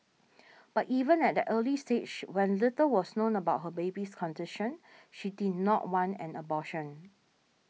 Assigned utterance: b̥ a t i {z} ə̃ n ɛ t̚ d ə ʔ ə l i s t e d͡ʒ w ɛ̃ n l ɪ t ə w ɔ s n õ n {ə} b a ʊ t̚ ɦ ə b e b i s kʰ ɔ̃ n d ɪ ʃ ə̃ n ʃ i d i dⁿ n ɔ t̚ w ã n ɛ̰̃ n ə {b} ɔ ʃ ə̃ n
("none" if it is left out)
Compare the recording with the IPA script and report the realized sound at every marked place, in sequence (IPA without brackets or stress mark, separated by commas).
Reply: v, ə, b